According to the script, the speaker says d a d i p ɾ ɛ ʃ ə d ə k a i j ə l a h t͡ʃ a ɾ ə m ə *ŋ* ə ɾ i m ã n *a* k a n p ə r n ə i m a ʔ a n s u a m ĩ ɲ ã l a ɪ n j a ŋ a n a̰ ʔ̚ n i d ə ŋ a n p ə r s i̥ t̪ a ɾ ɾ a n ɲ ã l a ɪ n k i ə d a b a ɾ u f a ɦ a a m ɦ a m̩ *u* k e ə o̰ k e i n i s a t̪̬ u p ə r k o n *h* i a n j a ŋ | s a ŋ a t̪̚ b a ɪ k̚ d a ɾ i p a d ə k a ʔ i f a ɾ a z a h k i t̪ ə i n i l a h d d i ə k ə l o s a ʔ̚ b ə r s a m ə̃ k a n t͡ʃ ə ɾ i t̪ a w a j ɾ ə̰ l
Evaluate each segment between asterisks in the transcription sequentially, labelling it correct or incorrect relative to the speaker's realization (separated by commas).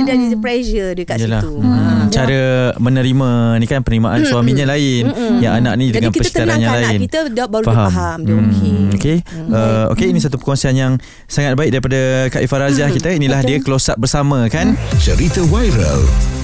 incorrect, incorrect, incorrect, incorrect